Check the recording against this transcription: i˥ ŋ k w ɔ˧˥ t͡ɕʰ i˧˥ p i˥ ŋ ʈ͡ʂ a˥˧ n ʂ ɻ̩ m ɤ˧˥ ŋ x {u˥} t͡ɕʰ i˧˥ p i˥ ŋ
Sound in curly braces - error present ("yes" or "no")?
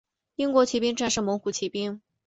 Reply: yes